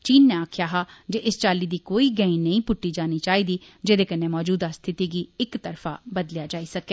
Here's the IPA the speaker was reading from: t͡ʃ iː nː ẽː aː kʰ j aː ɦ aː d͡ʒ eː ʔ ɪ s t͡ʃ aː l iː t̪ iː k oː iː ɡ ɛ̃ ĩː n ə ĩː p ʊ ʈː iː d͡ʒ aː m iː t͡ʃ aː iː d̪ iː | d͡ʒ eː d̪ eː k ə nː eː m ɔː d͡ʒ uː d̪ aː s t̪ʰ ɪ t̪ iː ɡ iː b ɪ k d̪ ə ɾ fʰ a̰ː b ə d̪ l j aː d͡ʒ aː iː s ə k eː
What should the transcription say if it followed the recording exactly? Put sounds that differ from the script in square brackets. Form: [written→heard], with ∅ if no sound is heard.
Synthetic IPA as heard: t͡ʃ iː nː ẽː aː kʰ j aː ɦ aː d͡ʒ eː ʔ ɪ s t͡ʃ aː l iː [t̪→d̪] iː k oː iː ɡ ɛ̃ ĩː n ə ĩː p ʊ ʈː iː d͡ʒ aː [m→n] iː t͡ʃ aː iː d̪ iː | d͡ʒ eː d̪ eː k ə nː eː m ɔː d͡ʒ uː d̪ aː s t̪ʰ ɪ t̪ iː ɡ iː [b→∅] ɪ k [d̪→t̪] ə ɾ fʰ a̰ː b ə d̪ l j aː d͡ʒ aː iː s ə k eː

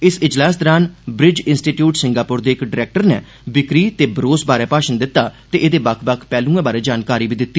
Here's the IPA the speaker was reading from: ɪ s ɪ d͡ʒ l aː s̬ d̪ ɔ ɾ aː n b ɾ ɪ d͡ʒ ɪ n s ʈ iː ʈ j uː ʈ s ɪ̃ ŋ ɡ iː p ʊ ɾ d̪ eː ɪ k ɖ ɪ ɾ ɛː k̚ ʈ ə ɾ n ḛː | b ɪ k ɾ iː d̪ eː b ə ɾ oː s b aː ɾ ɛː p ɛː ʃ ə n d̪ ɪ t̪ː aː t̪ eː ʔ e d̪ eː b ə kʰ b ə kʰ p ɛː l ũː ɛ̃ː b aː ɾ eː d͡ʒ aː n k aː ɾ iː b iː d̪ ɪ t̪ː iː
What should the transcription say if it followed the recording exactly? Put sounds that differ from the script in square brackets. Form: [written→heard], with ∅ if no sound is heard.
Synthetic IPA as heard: ɪ s ɪ d͡ʒ l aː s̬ d̪ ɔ ɾ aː n b ɾ ɪ d͡ʒ ɪ n s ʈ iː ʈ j uː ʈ s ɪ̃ ŋ ɡ [iː→aː] p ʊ ɾ d̪ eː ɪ k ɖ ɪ ɾ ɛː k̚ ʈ ə ɾ n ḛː | b ɪ k ɾ iː [d̪→t̪] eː b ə ɾ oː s b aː ɾ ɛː p [ɛː→aː] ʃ ə n d̪ ɪ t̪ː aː t̪ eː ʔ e d̪ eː b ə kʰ b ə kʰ p ɛː l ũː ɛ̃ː b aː ɾ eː d͡ʒ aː n k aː ɾ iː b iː d̪ ɪ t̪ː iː

